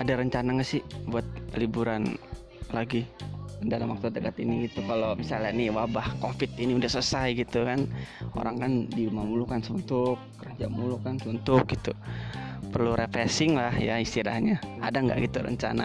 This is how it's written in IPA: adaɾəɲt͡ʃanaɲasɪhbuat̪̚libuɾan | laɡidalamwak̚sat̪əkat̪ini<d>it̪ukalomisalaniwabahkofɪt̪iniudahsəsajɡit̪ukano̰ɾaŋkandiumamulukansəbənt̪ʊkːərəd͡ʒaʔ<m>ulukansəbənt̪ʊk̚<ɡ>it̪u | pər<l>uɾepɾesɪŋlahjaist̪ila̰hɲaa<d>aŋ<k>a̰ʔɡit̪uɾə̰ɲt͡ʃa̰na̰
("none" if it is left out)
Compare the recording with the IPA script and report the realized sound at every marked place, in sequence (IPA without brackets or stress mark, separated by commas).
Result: ɡ, m, ɡ, l, d, ɡ